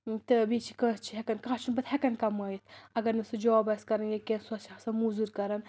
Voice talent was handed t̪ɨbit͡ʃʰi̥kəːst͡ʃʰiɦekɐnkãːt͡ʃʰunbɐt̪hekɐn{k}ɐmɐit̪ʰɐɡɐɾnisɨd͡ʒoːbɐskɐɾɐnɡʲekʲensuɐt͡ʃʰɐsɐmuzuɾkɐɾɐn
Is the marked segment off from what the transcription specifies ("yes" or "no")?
no